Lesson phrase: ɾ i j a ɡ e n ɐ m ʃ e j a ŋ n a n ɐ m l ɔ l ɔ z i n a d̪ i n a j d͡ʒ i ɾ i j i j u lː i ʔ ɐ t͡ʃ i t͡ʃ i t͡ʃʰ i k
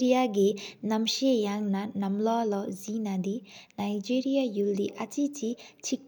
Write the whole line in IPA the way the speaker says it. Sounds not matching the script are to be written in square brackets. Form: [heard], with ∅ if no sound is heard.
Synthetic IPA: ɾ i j a ɡ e n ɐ m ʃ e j a ŋ n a n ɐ m l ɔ l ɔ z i n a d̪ i n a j d͡ʒ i ɾ i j [a] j u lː i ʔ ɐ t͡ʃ i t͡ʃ i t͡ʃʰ i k

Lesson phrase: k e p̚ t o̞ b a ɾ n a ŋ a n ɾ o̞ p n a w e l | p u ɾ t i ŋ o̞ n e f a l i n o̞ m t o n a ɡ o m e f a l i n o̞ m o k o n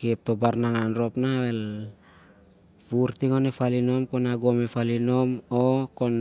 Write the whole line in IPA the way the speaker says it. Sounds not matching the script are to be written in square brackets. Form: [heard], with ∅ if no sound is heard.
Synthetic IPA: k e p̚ t o̞ b a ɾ n a ŋ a n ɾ o̞ p n a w e l | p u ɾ t i ŋ o̞ n e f a l i n o̞ m [k] o n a ɡ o m e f a l i n o̞ m o k o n

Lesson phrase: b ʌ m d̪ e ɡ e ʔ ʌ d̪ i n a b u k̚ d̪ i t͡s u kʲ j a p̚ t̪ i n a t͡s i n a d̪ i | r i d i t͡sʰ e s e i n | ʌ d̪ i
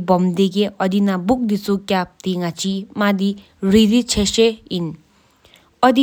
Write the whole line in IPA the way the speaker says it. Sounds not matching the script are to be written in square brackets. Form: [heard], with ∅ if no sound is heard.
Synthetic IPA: b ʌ m d̪ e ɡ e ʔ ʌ d̪ i n a b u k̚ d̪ i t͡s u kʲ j a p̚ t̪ i [ŋ] a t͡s i [m] a d̪ i | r i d i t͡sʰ e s e i n | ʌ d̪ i

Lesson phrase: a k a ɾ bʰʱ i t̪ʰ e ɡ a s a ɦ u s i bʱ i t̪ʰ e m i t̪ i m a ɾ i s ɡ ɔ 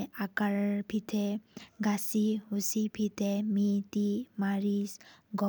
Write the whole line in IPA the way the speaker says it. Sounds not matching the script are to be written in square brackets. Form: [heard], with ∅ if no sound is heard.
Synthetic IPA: a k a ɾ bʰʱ i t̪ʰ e ɡ a s [i] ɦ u s i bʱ i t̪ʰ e m i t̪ i m a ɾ i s ɡ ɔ

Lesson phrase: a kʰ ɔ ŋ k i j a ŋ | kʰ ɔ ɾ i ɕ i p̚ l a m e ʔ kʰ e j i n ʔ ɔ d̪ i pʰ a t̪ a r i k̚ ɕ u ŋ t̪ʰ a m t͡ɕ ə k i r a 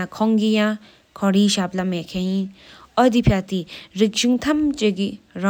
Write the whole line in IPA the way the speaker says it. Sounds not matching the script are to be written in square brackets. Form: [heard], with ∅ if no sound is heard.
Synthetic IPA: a kʰ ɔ ŋ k i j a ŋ | kʰ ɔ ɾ i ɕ [a] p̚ l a m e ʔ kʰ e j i n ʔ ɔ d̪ i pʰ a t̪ [i] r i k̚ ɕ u ŋ t̪ʰ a m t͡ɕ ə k i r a

